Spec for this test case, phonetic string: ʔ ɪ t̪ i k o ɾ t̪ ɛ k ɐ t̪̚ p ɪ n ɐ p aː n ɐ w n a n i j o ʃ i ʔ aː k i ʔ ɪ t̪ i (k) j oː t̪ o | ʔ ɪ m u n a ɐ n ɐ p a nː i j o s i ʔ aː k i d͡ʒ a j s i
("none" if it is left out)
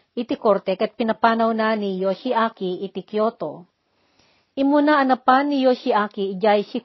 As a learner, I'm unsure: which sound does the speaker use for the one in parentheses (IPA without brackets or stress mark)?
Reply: k